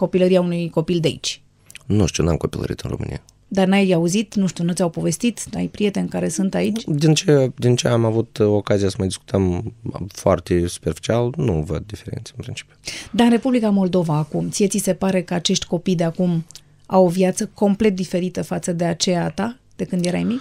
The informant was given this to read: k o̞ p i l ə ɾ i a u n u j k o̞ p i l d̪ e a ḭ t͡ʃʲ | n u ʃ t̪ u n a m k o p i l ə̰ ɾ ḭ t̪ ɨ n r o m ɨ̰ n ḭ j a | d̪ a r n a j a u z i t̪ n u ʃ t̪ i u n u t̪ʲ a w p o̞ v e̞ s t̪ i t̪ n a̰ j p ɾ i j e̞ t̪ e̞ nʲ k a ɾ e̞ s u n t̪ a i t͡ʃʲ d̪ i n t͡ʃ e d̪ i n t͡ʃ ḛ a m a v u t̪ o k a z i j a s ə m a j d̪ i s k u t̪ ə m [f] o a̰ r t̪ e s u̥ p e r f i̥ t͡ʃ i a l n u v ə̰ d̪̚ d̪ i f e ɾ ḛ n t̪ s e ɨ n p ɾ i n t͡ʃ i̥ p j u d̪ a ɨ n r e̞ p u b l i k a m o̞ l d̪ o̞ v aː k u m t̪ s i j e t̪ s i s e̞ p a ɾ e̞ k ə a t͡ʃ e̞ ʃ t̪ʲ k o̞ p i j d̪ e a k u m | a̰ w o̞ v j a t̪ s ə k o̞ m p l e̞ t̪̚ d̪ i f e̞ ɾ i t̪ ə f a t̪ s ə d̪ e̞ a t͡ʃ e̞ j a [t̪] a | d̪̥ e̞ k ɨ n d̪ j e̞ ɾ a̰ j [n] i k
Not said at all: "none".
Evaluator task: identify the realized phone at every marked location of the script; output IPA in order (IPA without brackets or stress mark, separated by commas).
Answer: f, t̪, m